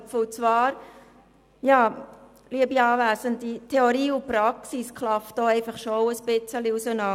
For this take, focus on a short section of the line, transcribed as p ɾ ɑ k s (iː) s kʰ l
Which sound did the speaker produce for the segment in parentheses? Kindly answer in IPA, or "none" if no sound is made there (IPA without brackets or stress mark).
i